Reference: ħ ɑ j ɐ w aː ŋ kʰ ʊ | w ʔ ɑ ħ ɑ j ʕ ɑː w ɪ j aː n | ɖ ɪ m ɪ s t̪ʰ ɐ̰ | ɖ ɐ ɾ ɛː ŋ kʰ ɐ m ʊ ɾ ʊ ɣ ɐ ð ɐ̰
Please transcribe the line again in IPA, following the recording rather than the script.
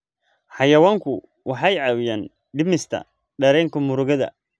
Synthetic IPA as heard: ħ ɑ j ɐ w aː ŋ kʰ ʊ | w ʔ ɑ ħ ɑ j ʕ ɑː w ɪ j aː n | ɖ ɪ m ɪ s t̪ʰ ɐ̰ | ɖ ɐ ɾ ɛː ŋ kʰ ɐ m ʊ ɾ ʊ ɣ ɐ ð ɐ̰